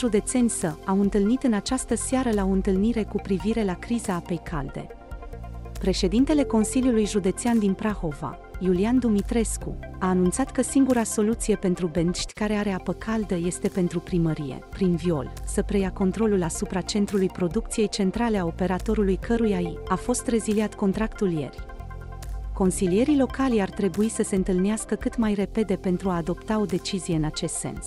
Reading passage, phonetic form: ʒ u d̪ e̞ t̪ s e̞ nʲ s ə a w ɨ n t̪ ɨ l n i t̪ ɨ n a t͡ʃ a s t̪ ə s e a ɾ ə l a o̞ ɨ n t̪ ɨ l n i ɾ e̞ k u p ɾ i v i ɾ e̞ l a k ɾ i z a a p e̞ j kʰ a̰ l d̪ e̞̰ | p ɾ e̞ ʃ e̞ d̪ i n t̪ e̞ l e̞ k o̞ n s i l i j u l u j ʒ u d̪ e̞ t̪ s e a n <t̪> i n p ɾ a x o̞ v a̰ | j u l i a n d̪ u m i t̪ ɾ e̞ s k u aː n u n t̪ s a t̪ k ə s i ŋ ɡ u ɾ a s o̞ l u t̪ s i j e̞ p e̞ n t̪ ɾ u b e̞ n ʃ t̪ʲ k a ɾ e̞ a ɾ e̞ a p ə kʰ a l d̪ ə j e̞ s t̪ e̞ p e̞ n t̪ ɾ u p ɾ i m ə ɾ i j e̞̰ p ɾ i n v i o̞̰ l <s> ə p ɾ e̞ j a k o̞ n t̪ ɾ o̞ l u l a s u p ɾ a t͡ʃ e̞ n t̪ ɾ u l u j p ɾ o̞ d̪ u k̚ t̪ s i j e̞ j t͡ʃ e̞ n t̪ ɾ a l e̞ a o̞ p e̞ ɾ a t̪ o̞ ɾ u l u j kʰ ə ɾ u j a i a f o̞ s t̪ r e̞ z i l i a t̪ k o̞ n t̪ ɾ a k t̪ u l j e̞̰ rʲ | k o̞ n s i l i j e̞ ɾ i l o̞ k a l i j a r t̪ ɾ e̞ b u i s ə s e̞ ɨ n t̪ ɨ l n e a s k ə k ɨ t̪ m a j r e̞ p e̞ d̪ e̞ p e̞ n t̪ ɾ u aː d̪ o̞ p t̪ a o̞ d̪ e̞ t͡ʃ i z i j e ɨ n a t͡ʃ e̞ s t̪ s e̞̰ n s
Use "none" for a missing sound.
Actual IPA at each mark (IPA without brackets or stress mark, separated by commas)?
d̪, s